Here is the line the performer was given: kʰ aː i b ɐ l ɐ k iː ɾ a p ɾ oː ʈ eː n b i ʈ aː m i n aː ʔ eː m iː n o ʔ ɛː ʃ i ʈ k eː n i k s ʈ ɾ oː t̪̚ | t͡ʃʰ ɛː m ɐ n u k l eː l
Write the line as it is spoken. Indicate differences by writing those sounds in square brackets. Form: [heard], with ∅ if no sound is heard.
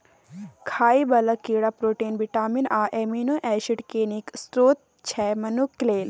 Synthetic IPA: kʰ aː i b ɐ l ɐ k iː [ɽ] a p ɾ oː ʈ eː n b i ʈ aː m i n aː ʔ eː m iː n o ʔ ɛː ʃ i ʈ k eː n i k s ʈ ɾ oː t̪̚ | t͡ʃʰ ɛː m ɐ n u k l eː l